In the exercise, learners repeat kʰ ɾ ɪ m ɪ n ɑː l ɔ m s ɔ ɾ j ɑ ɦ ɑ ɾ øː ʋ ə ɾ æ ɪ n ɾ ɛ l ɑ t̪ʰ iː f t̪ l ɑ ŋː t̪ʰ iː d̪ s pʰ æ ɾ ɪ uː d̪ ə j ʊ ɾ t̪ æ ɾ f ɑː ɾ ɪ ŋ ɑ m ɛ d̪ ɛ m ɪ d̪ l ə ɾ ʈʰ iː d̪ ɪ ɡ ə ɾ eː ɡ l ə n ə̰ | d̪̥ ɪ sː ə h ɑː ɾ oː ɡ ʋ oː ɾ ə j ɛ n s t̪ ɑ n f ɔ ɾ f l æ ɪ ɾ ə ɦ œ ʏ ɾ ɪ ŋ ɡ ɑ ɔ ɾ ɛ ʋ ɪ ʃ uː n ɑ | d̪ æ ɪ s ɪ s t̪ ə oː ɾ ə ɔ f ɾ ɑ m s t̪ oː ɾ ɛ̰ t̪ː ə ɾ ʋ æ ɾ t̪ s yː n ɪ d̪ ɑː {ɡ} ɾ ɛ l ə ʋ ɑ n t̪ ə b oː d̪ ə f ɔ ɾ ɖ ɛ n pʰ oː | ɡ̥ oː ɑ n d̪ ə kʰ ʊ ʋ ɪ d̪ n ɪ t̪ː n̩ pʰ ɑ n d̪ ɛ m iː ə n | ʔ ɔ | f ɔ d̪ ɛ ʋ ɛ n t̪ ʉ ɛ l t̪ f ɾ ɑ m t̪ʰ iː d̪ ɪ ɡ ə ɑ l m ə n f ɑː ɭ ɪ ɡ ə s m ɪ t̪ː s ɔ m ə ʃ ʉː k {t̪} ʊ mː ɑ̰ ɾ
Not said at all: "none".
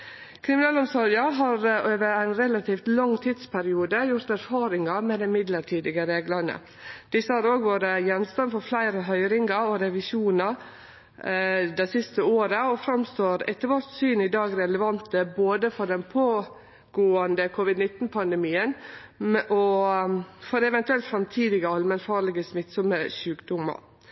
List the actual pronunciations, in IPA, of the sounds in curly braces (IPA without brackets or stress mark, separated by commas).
ɡ, d̪